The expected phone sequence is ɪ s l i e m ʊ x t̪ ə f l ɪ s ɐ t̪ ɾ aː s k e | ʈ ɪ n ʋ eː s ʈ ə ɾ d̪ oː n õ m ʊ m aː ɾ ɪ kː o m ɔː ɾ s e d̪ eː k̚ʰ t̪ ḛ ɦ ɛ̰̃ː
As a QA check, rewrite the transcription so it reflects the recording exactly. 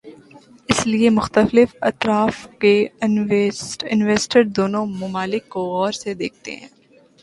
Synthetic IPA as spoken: ɪ s l i e m ʊ x t̪ ə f l ɪ f ɐ t̪ ɾ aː f k e | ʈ ɪ n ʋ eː s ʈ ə ɾ d̪ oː n õ m ʊ m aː l ɪ kː o ɔː ɾ s e d̪ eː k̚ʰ t̪ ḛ ɦ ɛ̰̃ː